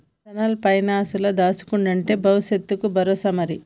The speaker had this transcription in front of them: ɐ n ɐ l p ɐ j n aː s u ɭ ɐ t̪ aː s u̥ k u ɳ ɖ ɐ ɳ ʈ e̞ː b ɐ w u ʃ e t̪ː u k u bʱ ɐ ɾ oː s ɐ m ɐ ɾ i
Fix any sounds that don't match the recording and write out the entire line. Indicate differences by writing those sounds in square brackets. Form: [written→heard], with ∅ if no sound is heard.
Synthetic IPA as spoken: ɐ n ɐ l p ɐ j n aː s u [ɭ→l] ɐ [t̪→d̪] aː s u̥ k u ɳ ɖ ɐ ɳ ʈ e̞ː b ɐ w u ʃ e t̪ː u k u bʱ ɐ ɾ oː s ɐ m ɐ ɾ i

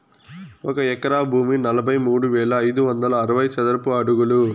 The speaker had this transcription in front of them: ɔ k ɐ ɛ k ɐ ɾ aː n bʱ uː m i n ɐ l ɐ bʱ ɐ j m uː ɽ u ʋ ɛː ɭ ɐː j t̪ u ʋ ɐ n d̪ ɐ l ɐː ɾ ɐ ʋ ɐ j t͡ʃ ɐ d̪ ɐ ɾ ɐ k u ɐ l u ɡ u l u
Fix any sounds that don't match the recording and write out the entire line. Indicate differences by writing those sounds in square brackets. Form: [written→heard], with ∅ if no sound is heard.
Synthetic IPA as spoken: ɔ k ɐ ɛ k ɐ ɾ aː [n→∅] bʱ uː m i n ɐ l ɐ bʱ ɐ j m uː ɽ u ʋ ɛː ɭ ɐː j [t̪→d̪] u ʋ ɐ n d̪ ɐ l ɐː ɾ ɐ ʋ ɐ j t͡ʃ ɐ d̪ ɐ ɾ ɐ [k→p] u ɐ [l→ɽ] u ɡ u l u

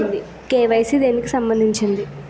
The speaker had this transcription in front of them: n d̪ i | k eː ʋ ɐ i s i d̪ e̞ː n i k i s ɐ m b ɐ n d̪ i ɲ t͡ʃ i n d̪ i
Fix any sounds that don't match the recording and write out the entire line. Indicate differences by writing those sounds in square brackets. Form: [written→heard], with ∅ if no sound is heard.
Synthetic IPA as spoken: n d̪ i | k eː ʋ ɐ [i→j] s i d̪ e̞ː n i k i s ɐ m b ɐ n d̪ i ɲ t͡ʃ i n d̪ i

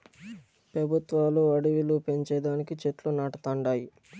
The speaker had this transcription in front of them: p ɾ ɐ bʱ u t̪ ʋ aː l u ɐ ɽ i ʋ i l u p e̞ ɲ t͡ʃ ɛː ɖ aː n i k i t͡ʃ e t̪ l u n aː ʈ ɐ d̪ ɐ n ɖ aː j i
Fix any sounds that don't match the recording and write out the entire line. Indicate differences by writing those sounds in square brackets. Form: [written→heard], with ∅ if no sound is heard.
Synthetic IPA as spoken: p ɾ ɐ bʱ u t̪ ʋ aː l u ɐ ɽ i ʋ i l u p e̞ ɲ t͡ʃ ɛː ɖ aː n i k i t͡ʃ e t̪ l u n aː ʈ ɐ [d̪→t̪] ɐ [n→ɳ] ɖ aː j i

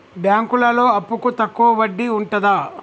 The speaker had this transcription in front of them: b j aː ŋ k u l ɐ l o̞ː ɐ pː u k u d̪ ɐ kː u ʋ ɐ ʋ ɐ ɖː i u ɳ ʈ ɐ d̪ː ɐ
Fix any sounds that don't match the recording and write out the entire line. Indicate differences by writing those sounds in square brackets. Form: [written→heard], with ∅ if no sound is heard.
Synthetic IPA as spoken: b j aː ŋ k u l ɐ l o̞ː ɐ pː u k u [d̪→t̪] ɐ kː u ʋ ɐ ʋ ɐ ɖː i u ɳ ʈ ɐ [d̪ː→d̪] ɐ

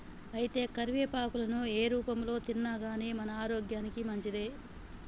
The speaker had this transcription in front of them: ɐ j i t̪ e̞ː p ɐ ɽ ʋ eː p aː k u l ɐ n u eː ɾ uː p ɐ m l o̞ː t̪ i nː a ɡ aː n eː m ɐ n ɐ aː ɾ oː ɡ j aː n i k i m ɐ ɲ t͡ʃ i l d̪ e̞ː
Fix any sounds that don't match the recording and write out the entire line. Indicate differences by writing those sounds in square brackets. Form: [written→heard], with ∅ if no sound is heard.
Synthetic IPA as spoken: ɐ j i t̪ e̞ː [p→k] ɐ [ɽ→ɾ] ʋ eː p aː k u l ɐ n u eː ɾ uː p ɐ m l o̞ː t̪ i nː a ɡ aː n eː m ɐ n ɐ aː ɾ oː ɡ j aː n i k i m ɐ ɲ t͡ʃ i [l→∅] d̪ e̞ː

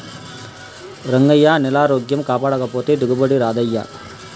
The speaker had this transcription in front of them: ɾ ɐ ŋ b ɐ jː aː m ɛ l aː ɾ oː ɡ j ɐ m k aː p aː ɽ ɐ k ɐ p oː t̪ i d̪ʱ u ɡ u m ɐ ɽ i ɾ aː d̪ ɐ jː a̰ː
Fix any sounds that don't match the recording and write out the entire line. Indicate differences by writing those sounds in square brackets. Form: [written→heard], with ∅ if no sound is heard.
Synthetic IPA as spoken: ɾ ɐ ŋ [b→ɡ] ɐ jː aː [m→n] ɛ l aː ɾ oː ɡ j ɐ m k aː p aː ɽ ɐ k ɐ p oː t̪ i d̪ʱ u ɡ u [m→b] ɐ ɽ i ɾ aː d̪ ɐ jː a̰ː

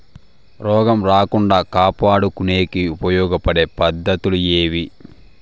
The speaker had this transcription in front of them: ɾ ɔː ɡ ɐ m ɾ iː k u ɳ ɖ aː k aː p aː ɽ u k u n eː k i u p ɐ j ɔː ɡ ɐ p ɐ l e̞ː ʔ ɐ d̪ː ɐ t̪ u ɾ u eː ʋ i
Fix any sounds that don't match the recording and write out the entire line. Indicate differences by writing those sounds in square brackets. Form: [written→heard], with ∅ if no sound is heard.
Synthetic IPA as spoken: ɾ ɔː ɡ ɐ m ɾ [iː→aː] k u ɳ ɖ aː k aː p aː ɽ u k u n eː k i u p ɐ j ɔː ɡ ɐ p ɐ [l→ɽ] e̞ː [ʔ→p] ɐ d̪ː ɐ t̪ u [ɾ→l] u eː ʋ i

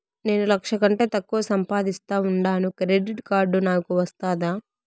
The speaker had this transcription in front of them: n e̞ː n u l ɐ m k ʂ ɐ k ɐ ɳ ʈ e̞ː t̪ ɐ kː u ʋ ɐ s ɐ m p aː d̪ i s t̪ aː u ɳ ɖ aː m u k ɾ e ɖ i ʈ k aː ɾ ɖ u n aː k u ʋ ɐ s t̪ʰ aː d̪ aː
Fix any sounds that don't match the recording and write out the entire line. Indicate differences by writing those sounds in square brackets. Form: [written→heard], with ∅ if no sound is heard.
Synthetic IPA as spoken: n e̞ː n u l ɐ [m→∅] k ʂ ɐ k ɐ ɳ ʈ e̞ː t̪ ɐ kː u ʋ ɐ s ɐ m p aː d̪ i s t̪ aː u ɳ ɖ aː [m→n] u k ɾ e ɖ i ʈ k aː ɾ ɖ u n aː k u ʋ ɐ s [t̪ʰ→t̪] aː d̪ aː

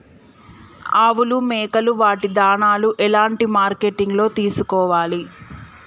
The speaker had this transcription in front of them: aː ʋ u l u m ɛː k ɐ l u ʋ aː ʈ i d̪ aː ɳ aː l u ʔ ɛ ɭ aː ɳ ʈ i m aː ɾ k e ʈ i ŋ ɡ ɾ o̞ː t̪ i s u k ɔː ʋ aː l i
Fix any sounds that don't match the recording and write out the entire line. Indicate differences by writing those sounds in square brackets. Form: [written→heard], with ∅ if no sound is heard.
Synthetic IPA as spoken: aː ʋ u l u m ɛː k ɐ l u ʋ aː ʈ i d̪ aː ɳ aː l u ʔ ɛ [ɭ→l] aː ɳ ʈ i m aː ɾ k e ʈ i ŋ ɡ [ɾ→l] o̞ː t̪ [i→iː] s u k ɔː ʋ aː l i

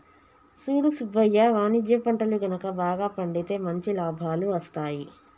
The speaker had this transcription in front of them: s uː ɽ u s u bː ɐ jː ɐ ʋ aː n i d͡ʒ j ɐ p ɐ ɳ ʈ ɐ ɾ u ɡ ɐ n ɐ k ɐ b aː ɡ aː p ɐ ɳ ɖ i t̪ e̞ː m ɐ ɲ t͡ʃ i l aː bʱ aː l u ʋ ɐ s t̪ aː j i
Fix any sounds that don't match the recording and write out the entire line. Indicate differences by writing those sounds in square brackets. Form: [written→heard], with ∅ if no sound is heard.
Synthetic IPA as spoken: s uː ɽ u s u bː ɐ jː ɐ ʋ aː n i d͡ʒ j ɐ p ɐ ɳ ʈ ɐ [ɾ→l] u ɡ ɐ n ɐ k ɐ b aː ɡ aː p ɐ ɳ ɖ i t̪ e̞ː m ɐ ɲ t͡ʃ i l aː bʱ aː l u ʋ ɐ s t̪ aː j i

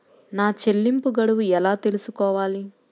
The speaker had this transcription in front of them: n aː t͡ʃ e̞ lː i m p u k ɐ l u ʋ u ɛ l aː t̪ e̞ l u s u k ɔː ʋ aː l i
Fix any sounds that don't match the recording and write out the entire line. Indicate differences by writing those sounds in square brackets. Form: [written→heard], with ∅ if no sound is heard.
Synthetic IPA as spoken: n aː t͡ʃ e̞ lː i m p u [k→ɡ] ɐ [l→ɽ] u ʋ u ɛ l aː t̪ e̞ l u s u k ɔː ʋ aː l i

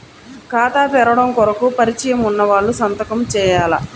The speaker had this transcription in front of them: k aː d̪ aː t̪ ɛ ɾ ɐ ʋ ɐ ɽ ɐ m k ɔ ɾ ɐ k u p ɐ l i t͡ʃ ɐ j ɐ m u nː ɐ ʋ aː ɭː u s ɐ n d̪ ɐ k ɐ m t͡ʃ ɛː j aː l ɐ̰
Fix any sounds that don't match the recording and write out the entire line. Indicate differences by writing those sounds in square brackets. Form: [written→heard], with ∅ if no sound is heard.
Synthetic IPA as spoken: k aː [d̪→t̪] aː t̪ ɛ ɾ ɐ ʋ ɐ ɽ ɐ m k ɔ ɾ ɐ k u p ɐ [l→ɾ] i t͡ʃ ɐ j ɐ m u nː ɐ ʋ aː ɭː u s ɐ n [d̪→t̪] ɐ k ɐ m t͡ʃ ɛː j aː l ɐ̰

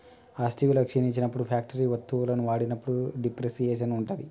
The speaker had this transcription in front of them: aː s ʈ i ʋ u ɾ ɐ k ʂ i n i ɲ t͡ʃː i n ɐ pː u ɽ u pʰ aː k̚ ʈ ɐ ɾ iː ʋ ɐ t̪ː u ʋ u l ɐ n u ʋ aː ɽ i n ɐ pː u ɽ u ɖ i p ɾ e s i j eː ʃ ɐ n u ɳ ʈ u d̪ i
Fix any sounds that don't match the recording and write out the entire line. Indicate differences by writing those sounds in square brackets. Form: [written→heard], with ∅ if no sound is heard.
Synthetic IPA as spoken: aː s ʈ i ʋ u [ɾ→l] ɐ k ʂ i n i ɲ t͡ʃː i n ɐ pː u ɽ u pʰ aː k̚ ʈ ɐ ɾ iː ʋ ɐ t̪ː u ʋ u l ɐ n u ʋ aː ɽ i n ɐ pː u ɽ u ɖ i p ɾ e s i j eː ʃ ɐ n u ɳ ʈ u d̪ i

